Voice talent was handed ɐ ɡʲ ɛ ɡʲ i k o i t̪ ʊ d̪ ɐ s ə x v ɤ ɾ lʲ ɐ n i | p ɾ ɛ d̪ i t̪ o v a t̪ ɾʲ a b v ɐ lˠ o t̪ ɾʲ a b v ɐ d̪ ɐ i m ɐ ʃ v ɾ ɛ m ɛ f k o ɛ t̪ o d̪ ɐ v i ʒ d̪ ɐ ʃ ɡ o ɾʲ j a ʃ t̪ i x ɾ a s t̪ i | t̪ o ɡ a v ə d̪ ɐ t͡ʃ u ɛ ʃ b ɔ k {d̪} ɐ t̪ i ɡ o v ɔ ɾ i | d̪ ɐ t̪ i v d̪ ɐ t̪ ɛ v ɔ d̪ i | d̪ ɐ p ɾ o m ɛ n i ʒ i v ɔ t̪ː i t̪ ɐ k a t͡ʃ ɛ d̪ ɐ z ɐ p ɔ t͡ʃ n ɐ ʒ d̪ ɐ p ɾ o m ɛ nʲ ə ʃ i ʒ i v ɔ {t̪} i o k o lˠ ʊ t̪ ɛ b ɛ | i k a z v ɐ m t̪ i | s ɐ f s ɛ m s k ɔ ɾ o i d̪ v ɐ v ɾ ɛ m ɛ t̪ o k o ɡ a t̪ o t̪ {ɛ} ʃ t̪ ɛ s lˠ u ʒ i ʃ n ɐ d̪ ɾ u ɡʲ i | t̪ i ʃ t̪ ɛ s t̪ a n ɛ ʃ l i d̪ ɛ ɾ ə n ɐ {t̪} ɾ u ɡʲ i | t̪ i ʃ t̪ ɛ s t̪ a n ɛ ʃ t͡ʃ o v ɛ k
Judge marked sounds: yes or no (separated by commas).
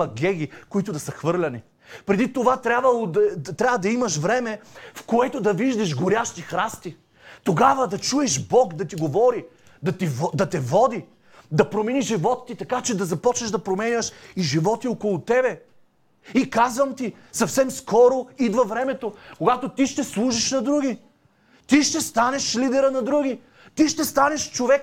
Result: yes, yes, no, no